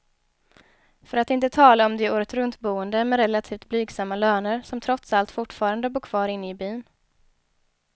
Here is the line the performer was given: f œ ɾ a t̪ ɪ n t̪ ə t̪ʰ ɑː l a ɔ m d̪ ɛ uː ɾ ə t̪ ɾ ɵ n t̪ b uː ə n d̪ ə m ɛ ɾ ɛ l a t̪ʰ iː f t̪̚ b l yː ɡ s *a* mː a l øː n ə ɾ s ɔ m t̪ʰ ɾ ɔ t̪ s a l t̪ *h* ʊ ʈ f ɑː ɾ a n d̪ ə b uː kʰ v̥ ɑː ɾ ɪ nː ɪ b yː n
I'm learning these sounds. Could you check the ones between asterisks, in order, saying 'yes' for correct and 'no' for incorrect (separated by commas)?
yes, no